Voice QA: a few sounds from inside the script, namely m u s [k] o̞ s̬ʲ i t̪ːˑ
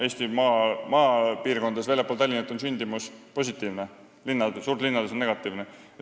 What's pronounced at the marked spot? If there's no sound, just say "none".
p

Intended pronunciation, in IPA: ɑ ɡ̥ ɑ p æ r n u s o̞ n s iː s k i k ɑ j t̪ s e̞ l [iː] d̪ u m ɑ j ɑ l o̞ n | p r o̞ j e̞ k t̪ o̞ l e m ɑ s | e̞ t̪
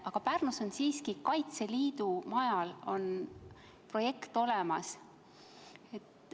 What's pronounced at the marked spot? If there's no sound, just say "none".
iː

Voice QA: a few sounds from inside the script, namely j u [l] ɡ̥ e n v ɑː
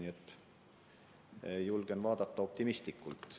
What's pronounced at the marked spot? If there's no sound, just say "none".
l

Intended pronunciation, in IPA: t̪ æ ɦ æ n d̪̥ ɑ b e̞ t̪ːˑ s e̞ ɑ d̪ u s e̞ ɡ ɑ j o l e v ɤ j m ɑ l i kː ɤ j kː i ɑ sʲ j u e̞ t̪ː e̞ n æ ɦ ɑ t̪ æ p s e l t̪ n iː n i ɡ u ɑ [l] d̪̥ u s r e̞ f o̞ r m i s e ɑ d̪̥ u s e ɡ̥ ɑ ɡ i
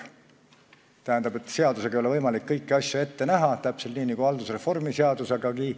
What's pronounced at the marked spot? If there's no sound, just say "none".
l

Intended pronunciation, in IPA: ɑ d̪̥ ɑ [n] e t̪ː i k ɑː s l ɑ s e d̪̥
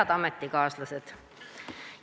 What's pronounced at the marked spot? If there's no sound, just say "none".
m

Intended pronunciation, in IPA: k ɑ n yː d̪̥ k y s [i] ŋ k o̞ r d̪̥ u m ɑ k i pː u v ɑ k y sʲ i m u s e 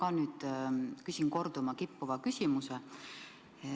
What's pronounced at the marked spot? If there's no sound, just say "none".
i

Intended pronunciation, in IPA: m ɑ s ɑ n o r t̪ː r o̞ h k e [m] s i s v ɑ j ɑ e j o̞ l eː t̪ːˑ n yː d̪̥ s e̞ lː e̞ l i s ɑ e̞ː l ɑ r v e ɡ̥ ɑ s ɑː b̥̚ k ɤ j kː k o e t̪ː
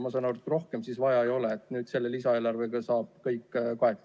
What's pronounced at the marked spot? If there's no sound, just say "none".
m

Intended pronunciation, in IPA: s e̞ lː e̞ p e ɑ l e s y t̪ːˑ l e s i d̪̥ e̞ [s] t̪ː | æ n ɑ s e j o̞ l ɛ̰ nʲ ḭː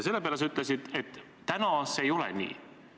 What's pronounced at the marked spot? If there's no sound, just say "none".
none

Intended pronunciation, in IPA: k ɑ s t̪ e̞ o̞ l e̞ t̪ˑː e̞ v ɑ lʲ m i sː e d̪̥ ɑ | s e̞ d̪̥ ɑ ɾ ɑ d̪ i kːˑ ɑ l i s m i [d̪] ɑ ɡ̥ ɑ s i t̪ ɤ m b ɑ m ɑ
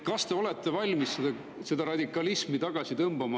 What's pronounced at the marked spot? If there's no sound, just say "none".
t̪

